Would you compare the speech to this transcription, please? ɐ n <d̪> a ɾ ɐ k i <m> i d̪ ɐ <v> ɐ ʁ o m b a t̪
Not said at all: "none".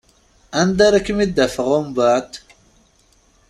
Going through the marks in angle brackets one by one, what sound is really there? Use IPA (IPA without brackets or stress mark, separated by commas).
d̪, m, f